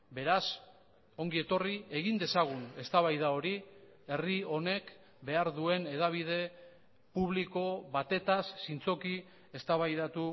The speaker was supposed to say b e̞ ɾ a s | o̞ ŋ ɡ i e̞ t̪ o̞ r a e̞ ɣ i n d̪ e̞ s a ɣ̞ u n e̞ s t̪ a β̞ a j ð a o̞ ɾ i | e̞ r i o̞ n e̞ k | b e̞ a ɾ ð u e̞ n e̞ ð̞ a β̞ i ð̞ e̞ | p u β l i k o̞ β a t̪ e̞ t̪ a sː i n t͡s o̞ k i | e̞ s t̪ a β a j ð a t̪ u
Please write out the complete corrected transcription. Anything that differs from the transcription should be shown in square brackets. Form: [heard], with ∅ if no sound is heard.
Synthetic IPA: b e̞ ɾ a s | o̞ ŋ ɡ i e̞ t̪ o̞ r [i] e̞ ɣ i n d̪ e̞ s a ɣ̞ u n e̞ s t̪ a β̞ a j ð a o̞ ɾ i | e̞ r i o̞ n e̞ k | b e̞ a ɾ ð u e̞ n e̞ ð̞ a β̞ i ð̞ e̞ | p u β l i k o̞ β a t̪ e̞ t̪ a sː i n t͡s o̞ k i | e̞ s t̪ a β a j ð a t̪ u